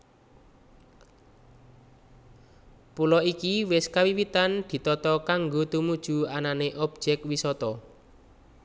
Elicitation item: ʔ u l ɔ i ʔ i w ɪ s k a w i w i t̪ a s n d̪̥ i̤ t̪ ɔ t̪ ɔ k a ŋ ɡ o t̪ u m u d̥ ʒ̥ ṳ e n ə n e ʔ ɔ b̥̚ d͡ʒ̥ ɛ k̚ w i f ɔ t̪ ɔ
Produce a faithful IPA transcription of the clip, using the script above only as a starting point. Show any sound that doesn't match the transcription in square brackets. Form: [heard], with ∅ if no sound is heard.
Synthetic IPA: [p] u l ɔ i [k] i w ɪ s k a w i w i t̪ a [∅] n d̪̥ i̤ t̪ ɔ t̪ ɔ k a ŋ ɡ o t̪ u m u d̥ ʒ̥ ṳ [a] n [a] n e ʔ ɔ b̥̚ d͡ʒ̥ ɛ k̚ w i [s] ɔ t̪ ɔ

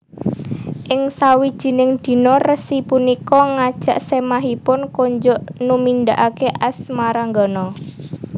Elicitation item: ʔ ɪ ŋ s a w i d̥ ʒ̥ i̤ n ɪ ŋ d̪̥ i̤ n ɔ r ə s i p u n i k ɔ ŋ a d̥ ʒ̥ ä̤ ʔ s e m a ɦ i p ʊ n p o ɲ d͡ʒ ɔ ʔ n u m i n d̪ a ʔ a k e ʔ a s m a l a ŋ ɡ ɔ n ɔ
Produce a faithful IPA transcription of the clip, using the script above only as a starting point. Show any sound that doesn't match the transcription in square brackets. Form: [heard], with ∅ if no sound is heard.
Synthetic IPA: ʔ ɪ ŋ s a w i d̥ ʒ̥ i̤ n ɪ ŋ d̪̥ i̤ n ɔ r ə s i p u n i k ɔ ŋ a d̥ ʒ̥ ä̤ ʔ s e m a ɦ i p ʊ n [k] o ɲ d͡ʒ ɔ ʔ n u m i n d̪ a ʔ a k e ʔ a s m a [ɾ] a ŋ ɡ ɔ n ɔ

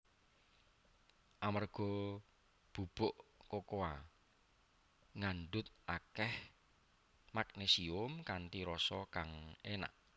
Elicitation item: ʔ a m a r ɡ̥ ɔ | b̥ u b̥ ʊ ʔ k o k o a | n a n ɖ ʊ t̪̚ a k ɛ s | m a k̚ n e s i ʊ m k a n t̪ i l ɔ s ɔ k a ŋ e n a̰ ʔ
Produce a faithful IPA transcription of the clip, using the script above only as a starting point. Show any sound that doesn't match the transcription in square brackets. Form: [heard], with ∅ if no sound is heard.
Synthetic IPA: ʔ a m a r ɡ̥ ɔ | b̥ u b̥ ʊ ʔ k o k o a | [ŋ] a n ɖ ʊ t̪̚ a k ɛ [h] | m a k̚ n e s i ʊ m k a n t̪ i [ɾ] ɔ s ɔ k a ŋ e n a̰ ʔ

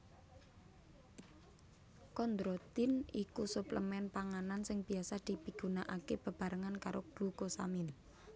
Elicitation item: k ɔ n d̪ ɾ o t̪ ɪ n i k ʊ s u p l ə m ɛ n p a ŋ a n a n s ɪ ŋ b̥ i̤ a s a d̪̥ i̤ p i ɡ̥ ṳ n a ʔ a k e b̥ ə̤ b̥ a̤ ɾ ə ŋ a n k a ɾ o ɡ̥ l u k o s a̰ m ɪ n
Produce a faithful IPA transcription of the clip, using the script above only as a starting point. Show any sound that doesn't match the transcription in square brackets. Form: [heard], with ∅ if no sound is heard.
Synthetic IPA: k ɔ n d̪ ɾ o t̪ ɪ n i k [u] s u p l ə m ɛ n p a ŋ a n a n s ɪ ŋ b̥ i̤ a s a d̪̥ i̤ p i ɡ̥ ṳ n a ʔ a k e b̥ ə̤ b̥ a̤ ɾ ə ŋ a n k a ɾ o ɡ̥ l u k o s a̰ m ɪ n

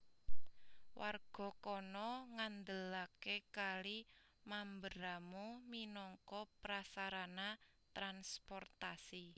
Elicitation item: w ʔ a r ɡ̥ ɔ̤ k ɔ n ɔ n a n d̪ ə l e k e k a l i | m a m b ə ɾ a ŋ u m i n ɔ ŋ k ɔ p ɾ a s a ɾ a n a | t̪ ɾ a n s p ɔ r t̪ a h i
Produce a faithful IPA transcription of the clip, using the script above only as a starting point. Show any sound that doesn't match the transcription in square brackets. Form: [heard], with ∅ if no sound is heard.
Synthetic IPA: w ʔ a r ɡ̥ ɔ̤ k ɔ n ɔ [ŋ] a n d̪ ə l [a] k e k a l i | m a m b ə ɾ a [m] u m i n ɔ ŋ k ɔ p ɾ a s a ɾ a n a | t̪ ɾ a n s p ɔ r t̪ a [s] i

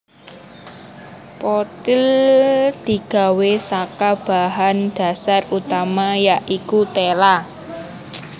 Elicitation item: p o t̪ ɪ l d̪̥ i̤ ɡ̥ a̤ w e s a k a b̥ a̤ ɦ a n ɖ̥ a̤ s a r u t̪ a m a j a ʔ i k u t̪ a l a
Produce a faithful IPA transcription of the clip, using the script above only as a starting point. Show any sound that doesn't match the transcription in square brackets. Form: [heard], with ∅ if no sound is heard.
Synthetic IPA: p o t̪ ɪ l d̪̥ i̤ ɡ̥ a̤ w e s a k a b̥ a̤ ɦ a n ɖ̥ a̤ s a r u t̪ a m a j a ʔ i k u t̪ [e] l a

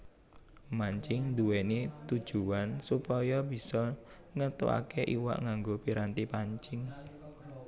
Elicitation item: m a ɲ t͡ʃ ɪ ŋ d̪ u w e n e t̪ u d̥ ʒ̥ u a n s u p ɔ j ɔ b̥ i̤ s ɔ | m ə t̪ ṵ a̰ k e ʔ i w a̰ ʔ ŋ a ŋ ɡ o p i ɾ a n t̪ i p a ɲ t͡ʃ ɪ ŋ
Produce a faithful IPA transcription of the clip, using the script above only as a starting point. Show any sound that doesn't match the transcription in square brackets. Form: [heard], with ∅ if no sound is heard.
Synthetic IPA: m a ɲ t͡ʃ ɪ ŋ d̪ u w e n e t̪ u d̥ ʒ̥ u a n s u p ɔ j ɔ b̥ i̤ s ɔ | [ŋ] ə t̪ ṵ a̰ k e ʔ i w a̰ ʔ ŋ a ŋ ɡ o p i ɾ a n t̪ i p a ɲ t͡ʃ ɪ ŋ

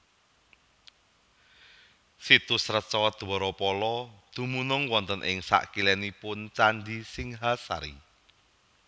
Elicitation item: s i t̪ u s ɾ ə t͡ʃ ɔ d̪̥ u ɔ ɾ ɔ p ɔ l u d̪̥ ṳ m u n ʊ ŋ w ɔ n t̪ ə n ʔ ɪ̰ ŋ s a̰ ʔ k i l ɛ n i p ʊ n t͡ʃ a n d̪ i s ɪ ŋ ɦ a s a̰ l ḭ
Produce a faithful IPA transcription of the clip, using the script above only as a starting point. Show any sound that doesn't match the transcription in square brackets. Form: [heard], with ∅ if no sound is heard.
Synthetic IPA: s i t̪ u s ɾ ə t͡ʃ ɔ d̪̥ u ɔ ɾ ɔ p ɔ l [ɔ] d̪̥ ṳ m u n ʊ ŋ w ɔ n t̪ ə n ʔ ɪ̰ ŋ s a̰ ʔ k i l ɛ n i p ʊ n t͡ʃ a n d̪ i s ɪ ŋ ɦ a s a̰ [ɾ] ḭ

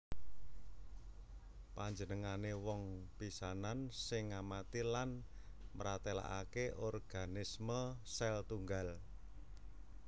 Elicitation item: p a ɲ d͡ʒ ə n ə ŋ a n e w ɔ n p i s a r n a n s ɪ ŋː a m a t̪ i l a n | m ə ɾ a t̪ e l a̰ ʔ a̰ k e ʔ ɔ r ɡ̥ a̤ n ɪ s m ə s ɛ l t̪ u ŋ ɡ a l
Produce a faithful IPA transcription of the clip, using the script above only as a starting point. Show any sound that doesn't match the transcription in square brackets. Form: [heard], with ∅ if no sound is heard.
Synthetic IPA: p a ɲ d͡ʒ ə n ə ŋ a n e w ɔ [ŋ] p i s a [∅] n a n s ɪ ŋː a m a t̪ i l a n | m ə ɾ a t̪ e l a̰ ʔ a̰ k e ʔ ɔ r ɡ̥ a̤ n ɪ s m ə s ɛ l t̪ u ŋ ɡ a l

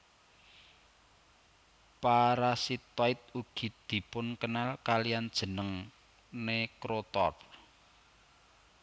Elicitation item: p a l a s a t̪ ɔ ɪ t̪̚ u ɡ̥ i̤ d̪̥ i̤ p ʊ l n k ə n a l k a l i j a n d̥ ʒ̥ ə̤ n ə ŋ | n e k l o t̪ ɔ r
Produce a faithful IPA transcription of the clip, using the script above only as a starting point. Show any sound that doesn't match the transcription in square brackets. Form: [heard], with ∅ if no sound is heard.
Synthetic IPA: p a [ɾ] a s [i] t̪ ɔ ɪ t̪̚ u ɡ̥ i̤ d̪̥ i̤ p ʊ [∅] n k ə n a l k a l i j a n d̥ ʒ̥ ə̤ n ə ŋ | n e k [ɾ] o t̪ ɔ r

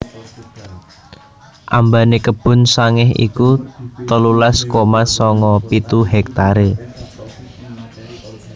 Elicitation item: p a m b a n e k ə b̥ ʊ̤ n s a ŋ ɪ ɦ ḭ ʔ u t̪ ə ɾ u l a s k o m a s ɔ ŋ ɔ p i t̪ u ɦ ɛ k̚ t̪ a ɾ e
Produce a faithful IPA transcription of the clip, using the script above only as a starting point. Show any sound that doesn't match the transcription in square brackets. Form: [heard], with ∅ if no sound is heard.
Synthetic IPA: [ʔ] a m b a n e k ə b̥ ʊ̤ n s a ŋ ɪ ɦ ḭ [k] u t̪ ə [l] u l a s k o m a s ɔ ŋ ɔ p i t̪ u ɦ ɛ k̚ t̪ a ɾ e

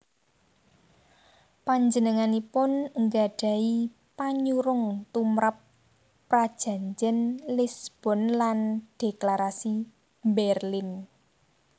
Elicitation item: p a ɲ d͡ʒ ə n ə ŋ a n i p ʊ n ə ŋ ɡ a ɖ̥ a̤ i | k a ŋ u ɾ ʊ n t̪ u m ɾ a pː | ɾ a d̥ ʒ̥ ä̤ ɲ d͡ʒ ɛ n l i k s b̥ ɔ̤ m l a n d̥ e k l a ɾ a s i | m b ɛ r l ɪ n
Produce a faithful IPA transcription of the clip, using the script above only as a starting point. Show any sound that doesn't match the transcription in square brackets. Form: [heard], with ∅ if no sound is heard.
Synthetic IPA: p a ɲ d͡ʒ ə n ə ŋ a n i p ʊ n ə ŋ ɡ a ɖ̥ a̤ i | [p] a [ɲ] u ɾ ʊ [ŋ] t̪ u m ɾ a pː | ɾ a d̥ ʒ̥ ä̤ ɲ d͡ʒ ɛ n l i [∅] s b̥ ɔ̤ [n] l a n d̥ e k l a ɾ a s i | m b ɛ r l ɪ n

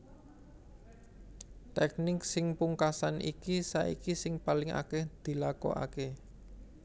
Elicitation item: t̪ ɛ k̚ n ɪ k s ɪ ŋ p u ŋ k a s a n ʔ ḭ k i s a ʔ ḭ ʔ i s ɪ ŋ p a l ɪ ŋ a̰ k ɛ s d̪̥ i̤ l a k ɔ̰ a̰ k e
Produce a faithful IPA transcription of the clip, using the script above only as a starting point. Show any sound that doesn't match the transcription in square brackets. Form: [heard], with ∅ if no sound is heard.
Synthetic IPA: t̪ ɛ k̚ n ɪ k s ɪ ŋ p u ŋ k a s a n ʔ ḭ k i s a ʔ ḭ [k] i s ɪ ŋ p a l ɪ ŋ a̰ k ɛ [h] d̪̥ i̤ l a k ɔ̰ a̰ k e

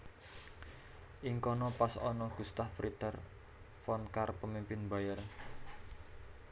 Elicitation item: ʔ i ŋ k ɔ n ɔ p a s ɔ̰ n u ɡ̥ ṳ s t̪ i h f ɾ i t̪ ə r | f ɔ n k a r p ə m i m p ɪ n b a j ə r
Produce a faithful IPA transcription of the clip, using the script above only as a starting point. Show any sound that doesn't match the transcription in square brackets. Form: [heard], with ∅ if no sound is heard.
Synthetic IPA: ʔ i ŋ k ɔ n ɔ p a s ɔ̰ n [ɔ] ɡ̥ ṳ s t̪ [a] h f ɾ i t̪ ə r | f ɔ n k a r p ə m i m p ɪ n b a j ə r

